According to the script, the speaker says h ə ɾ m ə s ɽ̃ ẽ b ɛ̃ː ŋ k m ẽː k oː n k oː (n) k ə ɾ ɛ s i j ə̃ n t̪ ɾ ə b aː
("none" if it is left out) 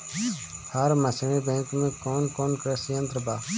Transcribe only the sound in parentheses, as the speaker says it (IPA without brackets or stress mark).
n